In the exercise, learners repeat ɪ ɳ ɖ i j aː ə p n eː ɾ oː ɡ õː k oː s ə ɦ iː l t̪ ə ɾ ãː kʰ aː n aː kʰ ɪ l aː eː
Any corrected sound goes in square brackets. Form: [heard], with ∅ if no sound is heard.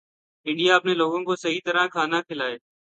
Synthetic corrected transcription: ɪ ɳ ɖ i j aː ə p n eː [l] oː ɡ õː k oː s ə ɦ iː [∅] t̪ ə ɾ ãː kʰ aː n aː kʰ ɪ l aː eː